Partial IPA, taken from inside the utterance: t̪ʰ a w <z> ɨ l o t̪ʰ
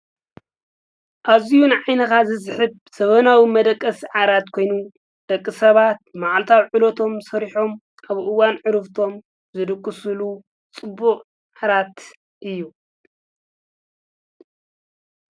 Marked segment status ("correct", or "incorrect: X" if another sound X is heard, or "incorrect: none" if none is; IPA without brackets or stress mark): incorrect: ʕ